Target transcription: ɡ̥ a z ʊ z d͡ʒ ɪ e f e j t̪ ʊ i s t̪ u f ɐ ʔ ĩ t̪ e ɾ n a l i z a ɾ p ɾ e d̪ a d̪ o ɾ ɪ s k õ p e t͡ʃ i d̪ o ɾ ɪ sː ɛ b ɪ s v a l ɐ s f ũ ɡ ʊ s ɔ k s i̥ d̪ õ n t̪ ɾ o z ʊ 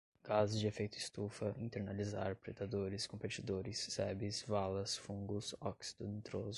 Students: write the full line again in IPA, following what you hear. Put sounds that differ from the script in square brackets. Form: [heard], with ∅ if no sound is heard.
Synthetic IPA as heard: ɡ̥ a z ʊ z d͡ʒ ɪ e f e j t̪ ʊ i s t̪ u f ɐ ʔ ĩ t̪ e ɾ n a l i z a ɾ p ɾ e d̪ a d̪ o ɾ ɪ s k õ p e t͡ʃ i d̪ o ɾ ɪ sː ɛ b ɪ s v a l ɐ s f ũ ɡ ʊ s ɔ k s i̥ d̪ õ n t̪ ɾ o z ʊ